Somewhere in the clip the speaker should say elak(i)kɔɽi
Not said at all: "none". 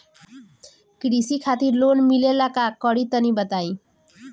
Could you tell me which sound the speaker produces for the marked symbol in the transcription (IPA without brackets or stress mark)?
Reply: a